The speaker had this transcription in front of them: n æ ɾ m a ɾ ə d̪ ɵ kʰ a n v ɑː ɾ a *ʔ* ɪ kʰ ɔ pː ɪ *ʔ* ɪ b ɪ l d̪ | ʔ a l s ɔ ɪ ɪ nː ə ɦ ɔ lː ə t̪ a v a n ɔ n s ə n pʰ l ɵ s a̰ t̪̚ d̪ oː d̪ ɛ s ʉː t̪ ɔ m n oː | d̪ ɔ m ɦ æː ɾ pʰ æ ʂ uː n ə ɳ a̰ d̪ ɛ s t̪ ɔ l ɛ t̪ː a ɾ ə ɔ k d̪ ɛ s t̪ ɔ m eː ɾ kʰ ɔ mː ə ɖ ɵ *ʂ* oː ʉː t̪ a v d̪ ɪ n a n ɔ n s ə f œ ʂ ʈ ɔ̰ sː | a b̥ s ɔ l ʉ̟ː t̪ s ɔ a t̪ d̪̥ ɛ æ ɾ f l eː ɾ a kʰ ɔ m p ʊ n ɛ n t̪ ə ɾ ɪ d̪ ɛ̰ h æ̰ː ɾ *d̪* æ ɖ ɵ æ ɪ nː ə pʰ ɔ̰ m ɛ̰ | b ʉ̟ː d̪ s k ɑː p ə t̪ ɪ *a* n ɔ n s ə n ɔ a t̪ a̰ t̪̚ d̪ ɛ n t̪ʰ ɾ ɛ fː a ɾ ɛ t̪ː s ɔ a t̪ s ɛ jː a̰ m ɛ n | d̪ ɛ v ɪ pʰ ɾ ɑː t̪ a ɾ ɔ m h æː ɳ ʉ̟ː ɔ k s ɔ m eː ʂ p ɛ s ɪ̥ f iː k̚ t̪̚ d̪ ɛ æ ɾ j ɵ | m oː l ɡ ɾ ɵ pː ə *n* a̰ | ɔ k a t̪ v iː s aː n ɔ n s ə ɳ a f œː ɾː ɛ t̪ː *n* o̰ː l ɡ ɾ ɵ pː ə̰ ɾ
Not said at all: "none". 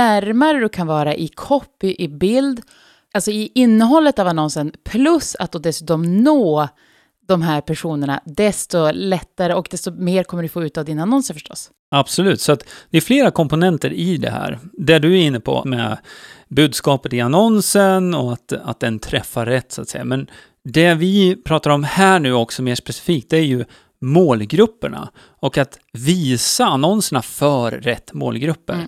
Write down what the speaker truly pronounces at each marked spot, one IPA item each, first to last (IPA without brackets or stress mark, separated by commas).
ʔ, ʔ, f, d̪, a, ɳ, m